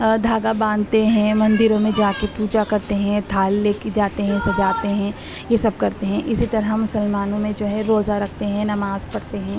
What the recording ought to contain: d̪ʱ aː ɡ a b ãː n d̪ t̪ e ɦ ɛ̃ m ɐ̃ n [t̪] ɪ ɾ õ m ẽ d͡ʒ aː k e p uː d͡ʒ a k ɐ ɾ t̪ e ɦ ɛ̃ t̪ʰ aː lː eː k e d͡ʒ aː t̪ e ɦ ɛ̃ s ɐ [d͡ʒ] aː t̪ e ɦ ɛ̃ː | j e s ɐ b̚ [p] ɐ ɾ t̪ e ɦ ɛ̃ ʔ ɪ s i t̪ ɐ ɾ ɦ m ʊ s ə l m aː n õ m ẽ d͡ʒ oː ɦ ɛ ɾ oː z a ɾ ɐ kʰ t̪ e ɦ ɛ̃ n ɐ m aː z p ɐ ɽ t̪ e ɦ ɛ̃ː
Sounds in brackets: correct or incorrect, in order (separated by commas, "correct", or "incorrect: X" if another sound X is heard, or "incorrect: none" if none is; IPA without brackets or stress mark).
incorrect: d̪, correct, incorrect: k